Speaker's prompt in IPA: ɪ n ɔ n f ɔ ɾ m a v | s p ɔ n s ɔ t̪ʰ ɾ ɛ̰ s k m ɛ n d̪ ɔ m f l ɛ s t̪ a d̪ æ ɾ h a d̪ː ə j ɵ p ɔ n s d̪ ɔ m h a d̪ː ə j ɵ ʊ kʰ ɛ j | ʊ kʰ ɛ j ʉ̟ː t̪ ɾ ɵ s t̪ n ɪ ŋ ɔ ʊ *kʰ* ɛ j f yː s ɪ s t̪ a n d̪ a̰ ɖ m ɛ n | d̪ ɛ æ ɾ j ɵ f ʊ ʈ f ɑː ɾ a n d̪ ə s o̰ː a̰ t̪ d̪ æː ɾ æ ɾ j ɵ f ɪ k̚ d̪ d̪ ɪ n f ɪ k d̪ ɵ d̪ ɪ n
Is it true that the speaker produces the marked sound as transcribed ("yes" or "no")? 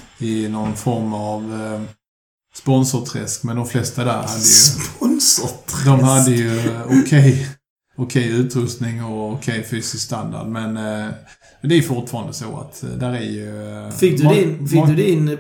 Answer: yes